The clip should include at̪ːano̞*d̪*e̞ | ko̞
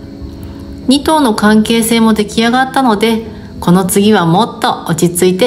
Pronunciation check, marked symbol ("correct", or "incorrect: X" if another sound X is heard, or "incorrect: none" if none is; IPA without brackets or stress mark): correct